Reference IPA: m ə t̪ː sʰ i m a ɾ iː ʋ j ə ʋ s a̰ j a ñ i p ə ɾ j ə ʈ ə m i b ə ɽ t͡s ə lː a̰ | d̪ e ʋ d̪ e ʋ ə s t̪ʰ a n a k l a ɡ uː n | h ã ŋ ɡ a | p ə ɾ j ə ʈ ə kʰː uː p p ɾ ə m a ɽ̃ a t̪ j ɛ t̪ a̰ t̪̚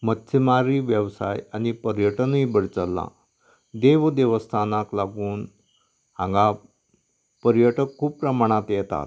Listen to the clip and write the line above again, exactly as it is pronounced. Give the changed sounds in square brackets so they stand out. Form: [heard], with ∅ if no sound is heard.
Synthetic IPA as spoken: m ə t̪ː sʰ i m a ɾ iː ʋ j ə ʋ s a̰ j a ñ i p ə ɾ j ə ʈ ə [n] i b ə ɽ t͡s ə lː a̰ | d̪ e ʋ d̪ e ʋ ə s t̪ʰ a n a k l a ɡ uː n | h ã ŋ ɡ a | p ə ɾ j ə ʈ ə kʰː uː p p ɾ ə m a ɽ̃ a t̪ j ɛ t̪ a̰ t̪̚